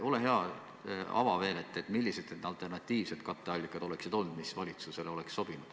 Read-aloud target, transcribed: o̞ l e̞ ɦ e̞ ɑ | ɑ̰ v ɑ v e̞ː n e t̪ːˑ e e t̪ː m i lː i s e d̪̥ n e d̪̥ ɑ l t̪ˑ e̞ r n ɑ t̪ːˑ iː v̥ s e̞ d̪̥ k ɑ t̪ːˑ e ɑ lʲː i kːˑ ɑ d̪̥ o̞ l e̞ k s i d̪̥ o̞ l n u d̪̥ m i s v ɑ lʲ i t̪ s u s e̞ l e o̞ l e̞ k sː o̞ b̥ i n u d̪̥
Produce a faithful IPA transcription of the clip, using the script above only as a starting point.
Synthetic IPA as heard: o̞ l e̞ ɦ e̞ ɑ | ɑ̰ v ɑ v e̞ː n e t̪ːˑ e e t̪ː m i lː i s e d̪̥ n e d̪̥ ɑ l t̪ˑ e̞ r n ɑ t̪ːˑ iː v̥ s e̞ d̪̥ k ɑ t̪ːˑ e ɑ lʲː i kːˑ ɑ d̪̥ o̞ l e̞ k s i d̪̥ o̞ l n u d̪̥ m i s v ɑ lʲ i t̪ s u s e̞ l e o̞ l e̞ k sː o̞ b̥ i n u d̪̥